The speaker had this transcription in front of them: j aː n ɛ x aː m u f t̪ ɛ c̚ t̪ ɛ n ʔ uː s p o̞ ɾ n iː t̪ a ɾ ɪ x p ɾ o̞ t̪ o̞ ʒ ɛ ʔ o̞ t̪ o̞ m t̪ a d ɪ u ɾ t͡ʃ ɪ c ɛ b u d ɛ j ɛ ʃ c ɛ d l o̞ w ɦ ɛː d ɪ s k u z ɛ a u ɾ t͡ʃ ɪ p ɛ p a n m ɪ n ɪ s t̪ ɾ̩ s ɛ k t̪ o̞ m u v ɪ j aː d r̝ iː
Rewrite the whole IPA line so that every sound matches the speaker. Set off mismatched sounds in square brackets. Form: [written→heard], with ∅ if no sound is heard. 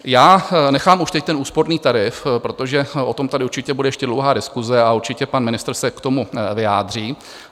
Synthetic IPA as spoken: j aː n ɛ x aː m u [f→ʃ] t̪ ɛ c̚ t̪ ɛ n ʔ uː s p o̞ ɾ n iː t̪ a ɾ ɪ [x→f] p ɾ o̞ t̪ o̞ ʒ ɛ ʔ o̞ t̪ o̞ m t̪ a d ɪ u ɾ t͡ʃ ɪ c ɛ b u d ɛ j ɛ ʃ c ɛ d l o̞ w ɦ [ɛː→aː] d ɪ s k u z ɛ a u ɾ t͡ʃ ɪ [p→c] ɛ p a n m ɪ n ɪ s t̪ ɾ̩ s ɛ k t̪ o̞ m u v ɪ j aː d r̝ iː

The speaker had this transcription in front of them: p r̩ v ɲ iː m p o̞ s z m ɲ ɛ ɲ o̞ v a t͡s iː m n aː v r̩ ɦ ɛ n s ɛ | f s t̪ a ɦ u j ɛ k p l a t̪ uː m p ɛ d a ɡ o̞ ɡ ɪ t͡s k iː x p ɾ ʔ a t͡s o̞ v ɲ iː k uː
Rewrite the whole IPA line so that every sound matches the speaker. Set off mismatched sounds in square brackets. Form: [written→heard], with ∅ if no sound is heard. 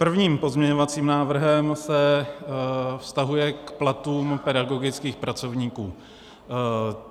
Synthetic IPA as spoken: p r̩ v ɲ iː m p o̞ [s→∅] z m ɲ ɛ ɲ o̞ v a t͡s iː m n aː v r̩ ɦ ɛ [n→m] s ɛ | f s t̪ a ɦ u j ɛ k p l a t̪ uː m p ɛ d a ɡ o̞ ɡ ɪ t͡s k iː x p ɾ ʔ a t͡s o̞ v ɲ iː k uː

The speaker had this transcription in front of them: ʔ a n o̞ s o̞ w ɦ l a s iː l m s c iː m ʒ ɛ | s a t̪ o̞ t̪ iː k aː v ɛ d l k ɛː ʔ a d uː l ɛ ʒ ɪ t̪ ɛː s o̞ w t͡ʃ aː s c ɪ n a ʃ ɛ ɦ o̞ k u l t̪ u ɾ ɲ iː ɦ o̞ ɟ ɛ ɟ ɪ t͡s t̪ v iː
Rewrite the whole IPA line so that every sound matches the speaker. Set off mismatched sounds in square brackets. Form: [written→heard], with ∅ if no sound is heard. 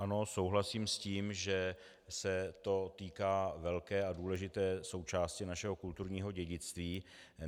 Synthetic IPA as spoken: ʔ a n o̞ s o̞ w ɦ l a s iː [l→∅] m s c iː m ʒ ɛ | s [a→ɛ] t̪ o̞ t̪ iː k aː v ɛ [d→∅] l k ɛː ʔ a d uː l ɛ ʒ ɪ t̪ ɛː s o̞ w t͡ʃ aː s c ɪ n a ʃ ɛ ɦ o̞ k u l t̪ u ɾ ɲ iː ɦ o̞ ɟ ɛ ɟ ɪ t͡s t̪ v iː

